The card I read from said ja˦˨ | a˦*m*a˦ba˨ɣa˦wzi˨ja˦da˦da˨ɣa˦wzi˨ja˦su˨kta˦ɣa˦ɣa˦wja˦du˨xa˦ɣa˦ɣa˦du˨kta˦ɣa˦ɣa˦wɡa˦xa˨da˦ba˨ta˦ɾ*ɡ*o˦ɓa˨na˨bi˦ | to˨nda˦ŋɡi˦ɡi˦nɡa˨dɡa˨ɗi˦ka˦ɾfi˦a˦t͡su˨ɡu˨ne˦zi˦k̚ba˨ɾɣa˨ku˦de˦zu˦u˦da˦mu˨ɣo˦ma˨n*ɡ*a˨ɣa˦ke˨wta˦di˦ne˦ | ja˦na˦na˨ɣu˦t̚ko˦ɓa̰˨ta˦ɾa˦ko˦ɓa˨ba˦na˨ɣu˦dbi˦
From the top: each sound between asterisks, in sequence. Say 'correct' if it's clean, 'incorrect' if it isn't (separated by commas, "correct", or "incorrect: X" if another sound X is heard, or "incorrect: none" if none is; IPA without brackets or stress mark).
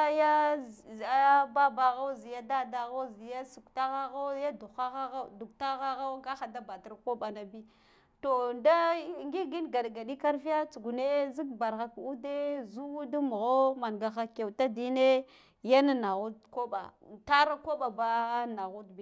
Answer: incorrect: b, incorrect: k, correct